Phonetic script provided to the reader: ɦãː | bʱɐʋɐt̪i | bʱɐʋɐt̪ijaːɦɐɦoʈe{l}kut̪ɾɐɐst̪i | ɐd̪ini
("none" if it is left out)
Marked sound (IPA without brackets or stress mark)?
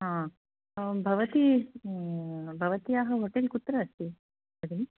l